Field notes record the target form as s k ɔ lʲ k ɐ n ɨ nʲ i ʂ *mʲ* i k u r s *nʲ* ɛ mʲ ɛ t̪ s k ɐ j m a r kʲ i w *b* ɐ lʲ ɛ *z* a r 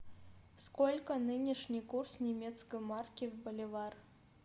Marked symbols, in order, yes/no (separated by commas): no, yes, yes, no